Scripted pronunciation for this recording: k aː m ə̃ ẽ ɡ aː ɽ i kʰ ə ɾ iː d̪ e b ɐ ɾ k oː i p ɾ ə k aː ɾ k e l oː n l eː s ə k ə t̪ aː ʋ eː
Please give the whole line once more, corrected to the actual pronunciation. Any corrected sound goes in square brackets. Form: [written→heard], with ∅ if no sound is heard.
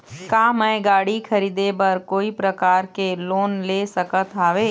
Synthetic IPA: k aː m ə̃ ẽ ɡ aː ɽ i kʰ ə ɾ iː d̪ e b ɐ ɾ k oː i p ɾ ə k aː ɾ k e l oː n l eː s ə k ə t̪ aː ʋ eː